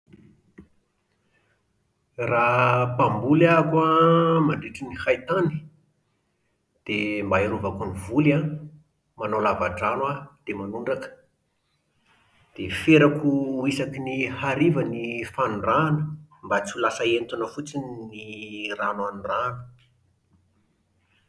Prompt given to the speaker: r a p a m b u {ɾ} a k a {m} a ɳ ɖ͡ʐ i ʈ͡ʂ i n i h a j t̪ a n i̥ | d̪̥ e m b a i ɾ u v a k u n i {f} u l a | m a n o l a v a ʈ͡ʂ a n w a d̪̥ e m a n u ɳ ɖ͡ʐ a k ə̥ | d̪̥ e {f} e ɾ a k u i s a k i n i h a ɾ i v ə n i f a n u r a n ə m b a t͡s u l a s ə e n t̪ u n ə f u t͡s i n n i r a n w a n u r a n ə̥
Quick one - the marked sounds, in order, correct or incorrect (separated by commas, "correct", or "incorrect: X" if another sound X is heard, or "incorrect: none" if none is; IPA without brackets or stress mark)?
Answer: incorrect: l, correct, incorrect: v, correct